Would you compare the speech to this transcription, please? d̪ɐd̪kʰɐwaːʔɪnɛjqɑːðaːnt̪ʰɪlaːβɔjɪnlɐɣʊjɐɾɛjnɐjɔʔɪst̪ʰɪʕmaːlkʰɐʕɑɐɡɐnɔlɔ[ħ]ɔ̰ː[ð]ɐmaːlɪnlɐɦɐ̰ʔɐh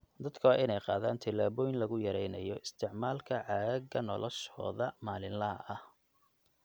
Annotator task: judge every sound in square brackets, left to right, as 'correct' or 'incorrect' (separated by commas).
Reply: incorrect, correct